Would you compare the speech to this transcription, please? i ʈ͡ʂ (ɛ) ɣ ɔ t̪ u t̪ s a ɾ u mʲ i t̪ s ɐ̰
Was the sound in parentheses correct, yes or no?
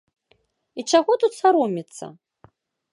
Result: no